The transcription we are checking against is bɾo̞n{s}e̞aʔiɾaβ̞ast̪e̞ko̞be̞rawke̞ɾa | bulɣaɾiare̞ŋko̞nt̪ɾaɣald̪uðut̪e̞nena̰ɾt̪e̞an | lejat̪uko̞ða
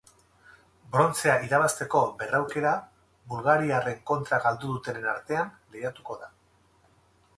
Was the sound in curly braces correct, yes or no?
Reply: no